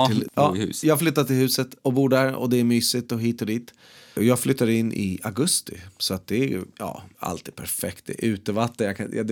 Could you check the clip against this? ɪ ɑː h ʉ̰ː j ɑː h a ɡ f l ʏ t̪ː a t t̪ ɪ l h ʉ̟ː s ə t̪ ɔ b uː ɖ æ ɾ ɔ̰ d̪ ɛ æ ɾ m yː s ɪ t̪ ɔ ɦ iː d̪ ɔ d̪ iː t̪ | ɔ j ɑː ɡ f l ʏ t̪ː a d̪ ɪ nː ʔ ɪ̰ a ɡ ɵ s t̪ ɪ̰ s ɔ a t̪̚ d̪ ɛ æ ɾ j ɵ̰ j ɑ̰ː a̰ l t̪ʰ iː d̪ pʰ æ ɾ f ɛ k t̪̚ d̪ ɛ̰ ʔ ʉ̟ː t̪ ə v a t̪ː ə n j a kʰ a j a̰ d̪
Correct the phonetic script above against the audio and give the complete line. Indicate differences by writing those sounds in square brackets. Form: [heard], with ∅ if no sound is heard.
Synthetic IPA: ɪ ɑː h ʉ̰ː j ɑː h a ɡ f l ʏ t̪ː a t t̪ ɪ l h ʉ̟ː s ə t̪ ɔ b uː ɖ æ ɾ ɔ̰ d̪ ɛ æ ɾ m yː s ɪ t̪ ɔ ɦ iː [t̪] ɔ d̪ iː t̪ | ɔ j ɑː ɡ f l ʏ t̪ː a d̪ ɪ nː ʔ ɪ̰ a ɡ ɵ s t̪ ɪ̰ s ɔ a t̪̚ d̪ ɛ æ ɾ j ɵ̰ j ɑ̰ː a̰ l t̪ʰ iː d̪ pʰ æ ɾ f ɛ k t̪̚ d̪ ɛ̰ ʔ ʉ̟ː t̪ ə v a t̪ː ə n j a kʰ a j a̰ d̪